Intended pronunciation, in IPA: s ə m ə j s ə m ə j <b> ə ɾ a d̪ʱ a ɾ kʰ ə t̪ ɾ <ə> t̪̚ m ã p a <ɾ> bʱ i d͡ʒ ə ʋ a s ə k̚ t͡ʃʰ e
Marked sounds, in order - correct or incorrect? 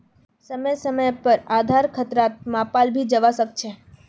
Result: incorrect, incorrect, incorrect

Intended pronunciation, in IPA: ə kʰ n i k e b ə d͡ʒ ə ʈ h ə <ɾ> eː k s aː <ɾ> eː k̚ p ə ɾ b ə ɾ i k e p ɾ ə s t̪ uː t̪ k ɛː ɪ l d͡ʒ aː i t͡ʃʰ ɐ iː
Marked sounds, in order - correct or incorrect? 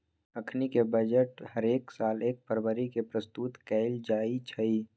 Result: correct, incorrect

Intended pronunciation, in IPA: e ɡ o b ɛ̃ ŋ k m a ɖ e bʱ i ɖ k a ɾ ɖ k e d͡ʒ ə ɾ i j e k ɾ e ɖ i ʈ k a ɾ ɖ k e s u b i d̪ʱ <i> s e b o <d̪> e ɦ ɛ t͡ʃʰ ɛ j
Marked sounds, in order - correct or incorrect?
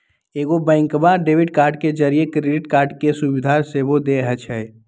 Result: incorrect, correct

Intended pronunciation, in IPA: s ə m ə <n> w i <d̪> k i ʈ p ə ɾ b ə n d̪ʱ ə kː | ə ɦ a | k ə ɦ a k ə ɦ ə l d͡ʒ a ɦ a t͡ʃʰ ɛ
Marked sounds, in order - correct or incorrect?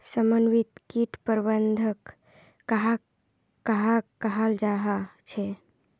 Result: correct, incorrect

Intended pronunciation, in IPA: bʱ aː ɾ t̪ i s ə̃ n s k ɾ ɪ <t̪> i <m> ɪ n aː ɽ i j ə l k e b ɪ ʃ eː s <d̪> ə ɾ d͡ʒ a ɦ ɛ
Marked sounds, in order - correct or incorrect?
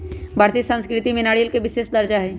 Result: correct, correct, correct

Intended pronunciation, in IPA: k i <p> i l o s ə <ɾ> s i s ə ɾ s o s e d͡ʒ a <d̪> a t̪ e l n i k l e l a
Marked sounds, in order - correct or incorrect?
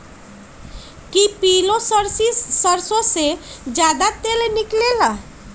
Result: correct, correct, correct

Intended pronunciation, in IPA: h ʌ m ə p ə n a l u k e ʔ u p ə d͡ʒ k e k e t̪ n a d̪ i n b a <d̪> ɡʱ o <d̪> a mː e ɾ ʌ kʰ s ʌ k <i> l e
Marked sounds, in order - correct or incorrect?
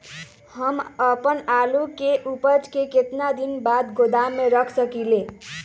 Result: correct, correct, correct

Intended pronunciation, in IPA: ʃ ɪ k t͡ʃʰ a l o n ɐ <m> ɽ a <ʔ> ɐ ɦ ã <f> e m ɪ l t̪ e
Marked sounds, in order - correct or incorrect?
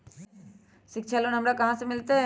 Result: correct, incorrect, incorrect

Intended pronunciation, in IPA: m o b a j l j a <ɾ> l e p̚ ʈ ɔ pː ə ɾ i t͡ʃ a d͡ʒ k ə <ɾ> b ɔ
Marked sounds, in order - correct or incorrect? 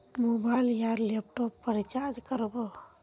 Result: correct, correct

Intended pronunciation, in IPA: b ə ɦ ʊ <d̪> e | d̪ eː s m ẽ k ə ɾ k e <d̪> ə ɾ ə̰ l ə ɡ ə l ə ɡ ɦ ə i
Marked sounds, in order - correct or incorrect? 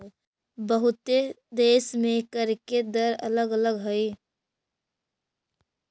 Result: incorrect, correct

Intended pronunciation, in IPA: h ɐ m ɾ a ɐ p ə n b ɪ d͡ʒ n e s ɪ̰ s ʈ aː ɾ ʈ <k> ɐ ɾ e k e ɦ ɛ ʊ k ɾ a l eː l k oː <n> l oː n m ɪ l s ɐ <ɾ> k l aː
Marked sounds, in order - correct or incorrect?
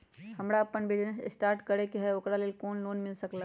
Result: correct, correct, incorrect

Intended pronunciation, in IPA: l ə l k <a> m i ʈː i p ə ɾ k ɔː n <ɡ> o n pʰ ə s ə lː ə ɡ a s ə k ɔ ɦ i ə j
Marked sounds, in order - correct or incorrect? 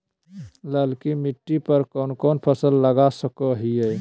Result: incorrect, incorrect

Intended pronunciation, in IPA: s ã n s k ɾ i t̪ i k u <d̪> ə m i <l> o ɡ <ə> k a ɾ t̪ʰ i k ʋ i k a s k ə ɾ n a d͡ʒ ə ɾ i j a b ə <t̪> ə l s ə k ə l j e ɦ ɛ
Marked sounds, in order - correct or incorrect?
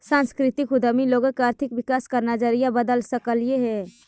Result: correct, correct, correct, incorrect

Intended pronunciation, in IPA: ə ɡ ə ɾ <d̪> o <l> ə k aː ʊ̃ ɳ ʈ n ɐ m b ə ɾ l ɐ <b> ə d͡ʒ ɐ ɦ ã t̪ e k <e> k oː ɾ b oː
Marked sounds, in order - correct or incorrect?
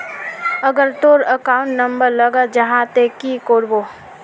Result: incorrect, incorrect, incorrect, incorrect

